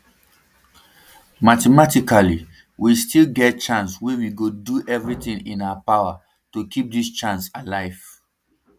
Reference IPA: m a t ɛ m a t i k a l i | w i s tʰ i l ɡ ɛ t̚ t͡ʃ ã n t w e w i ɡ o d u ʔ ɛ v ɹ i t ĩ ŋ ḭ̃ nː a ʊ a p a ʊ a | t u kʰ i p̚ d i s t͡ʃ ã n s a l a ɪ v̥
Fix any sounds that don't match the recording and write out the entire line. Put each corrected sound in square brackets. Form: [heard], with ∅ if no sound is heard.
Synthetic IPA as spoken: m a t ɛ m a t i k a l i | w i s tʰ i l ɡ ɛ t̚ t͡ʃ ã n [s] w e w i ɡ o d u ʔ ɛ v ɹ i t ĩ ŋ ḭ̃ [n] a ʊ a p a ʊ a | t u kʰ i p̚ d i s t͡ʃ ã n s a l a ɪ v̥